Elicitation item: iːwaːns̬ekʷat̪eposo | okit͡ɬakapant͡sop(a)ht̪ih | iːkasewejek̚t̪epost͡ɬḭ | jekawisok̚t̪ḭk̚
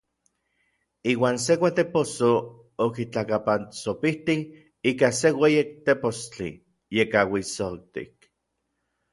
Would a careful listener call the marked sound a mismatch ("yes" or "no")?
yes